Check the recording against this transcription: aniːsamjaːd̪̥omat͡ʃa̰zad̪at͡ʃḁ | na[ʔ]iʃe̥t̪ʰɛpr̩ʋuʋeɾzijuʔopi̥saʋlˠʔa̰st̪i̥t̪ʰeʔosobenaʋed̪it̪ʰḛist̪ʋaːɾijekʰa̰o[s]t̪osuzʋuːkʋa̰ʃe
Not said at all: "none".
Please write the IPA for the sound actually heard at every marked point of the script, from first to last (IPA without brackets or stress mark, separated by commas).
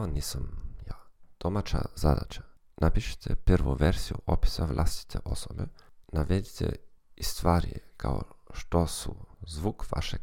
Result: p, ʃ